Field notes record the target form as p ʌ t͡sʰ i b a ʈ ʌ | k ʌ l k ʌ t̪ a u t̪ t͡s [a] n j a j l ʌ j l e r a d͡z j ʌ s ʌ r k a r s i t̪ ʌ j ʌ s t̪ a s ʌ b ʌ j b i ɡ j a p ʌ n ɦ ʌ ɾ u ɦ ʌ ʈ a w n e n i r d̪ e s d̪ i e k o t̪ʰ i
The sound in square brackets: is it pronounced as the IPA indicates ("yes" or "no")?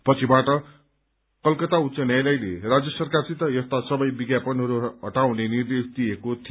no